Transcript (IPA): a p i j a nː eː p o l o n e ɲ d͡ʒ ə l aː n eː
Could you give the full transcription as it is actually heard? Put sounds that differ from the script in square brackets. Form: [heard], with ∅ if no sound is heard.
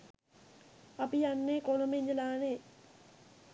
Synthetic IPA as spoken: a p i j a nː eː [k] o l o [m] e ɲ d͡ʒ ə l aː n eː